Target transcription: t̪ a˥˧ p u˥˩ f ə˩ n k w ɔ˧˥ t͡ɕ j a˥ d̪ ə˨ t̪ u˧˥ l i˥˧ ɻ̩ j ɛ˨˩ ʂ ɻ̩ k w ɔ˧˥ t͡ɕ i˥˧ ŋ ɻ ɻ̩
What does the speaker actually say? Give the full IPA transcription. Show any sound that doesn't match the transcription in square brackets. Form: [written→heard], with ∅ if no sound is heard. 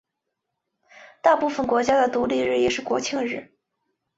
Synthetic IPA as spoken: t̪ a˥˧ p u˥˩ f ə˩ n k w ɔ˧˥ t͡ɕ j a˥ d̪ ə˨ t̪ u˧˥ l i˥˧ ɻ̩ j ɛ˨˩ ʂ ɻ̩ k w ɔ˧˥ [t͡ɕ→t͡ɕʰ] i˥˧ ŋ ɻ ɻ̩